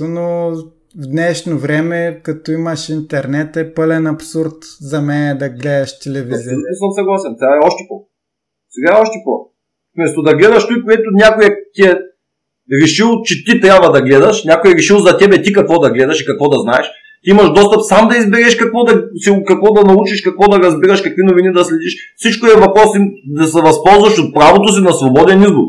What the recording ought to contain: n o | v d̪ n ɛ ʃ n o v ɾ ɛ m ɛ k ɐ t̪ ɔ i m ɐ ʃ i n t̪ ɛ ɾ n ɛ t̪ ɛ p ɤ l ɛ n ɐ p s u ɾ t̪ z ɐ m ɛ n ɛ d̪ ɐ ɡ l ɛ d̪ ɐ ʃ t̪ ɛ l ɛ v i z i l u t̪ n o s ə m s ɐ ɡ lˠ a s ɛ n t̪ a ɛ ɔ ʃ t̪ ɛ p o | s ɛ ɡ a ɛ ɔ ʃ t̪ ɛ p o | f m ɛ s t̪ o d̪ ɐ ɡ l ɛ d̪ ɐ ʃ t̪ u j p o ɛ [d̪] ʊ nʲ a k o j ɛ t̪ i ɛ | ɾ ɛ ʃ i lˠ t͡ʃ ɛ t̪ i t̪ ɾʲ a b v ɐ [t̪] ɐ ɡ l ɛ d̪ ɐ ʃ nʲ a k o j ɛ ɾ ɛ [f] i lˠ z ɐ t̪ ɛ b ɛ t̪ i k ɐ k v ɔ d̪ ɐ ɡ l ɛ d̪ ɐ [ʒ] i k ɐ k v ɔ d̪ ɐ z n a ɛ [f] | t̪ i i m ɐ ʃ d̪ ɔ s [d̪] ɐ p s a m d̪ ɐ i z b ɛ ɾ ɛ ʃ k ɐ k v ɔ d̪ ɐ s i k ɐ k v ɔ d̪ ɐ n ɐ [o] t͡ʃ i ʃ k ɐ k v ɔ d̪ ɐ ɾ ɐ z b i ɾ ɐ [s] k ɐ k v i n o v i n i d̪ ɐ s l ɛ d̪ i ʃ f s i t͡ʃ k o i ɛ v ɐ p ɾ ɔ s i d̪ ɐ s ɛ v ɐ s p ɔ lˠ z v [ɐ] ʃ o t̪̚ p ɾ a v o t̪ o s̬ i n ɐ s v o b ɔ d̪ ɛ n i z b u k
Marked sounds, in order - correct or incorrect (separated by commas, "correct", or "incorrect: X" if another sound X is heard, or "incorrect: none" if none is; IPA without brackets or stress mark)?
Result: incorrect: t̪, incorrect: d̪, incorrect: ʃ, incorrect: ʃ, incorrect: ʃ, incorrect: t̪, incorrect: u, incorrect: ʃ, correct